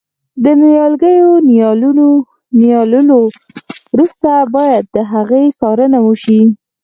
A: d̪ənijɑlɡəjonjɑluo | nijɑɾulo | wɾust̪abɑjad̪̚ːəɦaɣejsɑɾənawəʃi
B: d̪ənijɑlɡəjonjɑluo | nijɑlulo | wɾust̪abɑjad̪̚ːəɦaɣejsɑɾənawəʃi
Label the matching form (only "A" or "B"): B